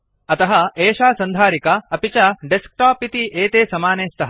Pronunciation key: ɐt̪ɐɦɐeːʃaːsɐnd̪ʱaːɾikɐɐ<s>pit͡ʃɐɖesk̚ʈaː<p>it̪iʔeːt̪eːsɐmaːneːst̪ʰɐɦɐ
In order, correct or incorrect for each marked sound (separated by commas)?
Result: incorrect, correct